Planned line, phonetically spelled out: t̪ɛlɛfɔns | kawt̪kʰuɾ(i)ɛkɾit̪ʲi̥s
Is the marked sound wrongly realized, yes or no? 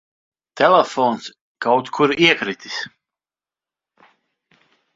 no